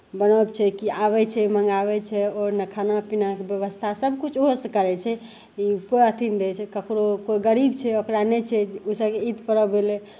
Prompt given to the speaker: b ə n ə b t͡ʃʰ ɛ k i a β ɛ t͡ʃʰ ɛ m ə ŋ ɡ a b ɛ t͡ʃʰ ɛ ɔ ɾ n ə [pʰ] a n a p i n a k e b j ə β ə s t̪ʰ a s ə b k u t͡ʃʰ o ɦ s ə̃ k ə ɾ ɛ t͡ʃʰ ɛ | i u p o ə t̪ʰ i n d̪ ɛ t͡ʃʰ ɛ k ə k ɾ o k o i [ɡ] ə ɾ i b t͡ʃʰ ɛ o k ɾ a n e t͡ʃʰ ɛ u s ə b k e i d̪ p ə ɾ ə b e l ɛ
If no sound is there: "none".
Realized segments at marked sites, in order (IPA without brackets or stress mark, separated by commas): kʰ, ɡ